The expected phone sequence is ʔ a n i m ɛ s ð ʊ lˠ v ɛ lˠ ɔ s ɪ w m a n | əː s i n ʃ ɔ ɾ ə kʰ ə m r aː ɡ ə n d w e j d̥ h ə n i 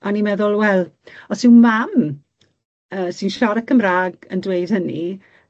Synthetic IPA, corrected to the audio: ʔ a n i m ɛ ð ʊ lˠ w ɛ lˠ ɔ s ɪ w m a m | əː s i n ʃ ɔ ɾ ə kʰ ə m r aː ɡ ə n d w e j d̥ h ə n i